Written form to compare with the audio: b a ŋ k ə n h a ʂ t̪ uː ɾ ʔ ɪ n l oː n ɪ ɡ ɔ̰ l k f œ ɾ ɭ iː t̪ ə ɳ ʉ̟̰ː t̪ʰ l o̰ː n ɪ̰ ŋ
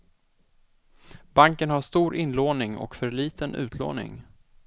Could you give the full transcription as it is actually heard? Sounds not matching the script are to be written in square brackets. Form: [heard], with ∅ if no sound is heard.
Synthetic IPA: b a ŋ k ə n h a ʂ t̪ uː ɾ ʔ ɪ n l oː n ɪ [ŋ] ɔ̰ [∅] k f œ ɾ ɭ iː t̪ ə [n] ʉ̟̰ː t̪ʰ l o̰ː n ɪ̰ ŋ